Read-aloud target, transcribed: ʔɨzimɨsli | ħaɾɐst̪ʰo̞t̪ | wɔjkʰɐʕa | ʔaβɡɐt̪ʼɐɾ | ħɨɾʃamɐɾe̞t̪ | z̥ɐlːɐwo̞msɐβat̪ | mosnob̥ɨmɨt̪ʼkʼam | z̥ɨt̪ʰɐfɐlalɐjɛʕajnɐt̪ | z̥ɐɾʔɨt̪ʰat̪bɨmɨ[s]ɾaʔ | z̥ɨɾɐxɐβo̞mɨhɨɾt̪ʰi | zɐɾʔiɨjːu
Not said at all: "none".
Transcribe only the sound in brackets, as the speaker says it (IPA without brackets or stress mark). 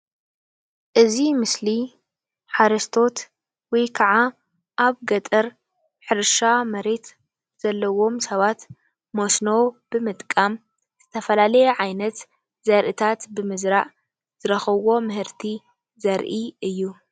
z